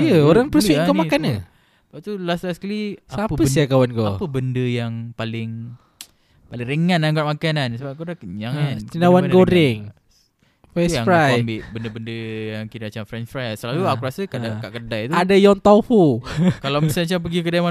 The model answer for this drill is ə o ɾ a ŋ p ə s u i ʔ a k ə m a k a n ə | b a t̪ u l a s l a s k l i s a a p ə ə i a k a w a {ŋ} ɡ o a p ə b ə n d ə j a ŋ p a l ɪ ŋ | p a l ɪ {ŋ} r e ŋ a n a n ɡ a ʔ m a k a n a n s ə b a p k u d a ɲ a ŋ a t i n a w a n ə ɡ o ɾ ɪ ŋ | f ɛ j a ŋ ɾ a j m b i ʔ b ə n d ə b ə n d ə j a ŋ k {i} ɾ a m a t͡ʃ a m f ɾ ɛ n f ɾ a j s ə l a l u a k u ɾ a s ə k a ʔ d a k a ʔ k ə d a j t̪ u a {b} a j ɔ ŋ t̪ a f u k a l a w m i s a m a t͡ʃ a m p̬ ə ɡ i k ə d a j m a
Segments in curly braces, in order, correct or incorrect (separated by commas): incorrect, correct, correct, incorrect